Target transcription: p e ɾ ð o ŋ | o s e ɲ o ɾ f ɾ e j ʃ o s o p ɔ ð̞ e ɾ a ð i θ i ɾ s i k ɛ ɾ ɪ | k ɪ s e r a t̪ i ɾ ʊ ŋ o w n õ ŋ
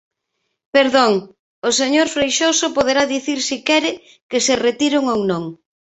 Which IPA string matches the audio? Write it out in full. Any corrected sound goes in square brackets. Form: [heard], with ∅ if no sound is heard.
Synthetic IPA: p e ɾ ð o ŋ | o s e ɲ o ɾ f ɾ e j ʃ o s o p [o] ð̞ e ɾ a ð i θ i ɾ s i k ɛ ɾ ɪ | k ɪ s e r [e] t̪ i ɾ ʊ ŋ o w n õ ŋ